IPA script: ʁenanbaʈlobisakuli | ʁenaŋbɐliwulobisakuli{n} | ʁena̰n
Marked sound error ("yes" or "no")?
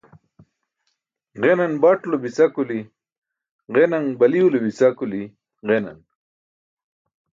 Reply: yes